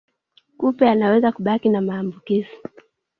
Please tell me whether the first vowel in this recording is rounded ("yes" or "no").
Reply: yes